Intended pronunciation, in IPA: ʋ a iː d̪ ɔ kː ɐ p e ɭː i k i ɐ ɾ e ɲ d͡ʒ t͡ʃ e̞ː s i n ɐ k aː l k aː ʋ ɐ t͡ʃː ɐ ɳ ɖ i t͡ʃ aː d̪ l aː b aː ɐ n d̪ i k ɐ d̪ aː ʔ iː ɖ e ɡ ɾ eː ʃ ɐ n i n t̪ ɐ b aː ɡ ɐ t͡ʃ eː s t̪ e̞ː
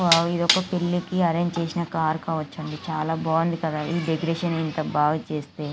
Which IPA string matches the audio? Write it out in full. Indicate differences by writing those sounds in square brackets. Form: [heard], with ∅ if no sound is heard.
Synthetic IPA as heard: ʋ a [i] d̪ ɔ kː ɐ p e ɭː i k i ɐ ɾ e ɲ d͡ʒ t͡ʃ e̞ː s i n ɐ k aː [ɾ] k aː ʋ ɐ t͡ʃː ɐ ɳ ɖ i t͡ʃ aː [∅] l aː b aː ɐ n d̪ i k ɐ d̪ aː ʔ iː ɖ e ɡ ɾ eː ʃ ɐ n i n t̪ ɐ b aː ɡ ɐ t͡ʃ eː s t̪ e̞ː